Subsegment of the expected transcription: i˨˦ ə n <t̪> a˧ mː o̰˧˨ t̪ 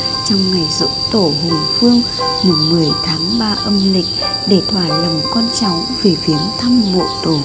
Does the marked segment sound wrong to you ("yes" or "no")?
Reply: yes